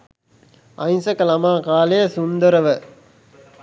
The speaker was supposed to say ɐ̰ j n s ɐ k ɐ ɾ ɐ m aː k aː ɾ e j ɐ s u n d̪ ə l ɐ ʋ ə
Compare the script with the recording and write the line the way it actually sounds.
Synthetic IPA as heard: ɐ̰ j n s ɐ k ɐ l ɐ m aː k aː l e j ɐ s u n d̪ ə ɾ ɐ ʋ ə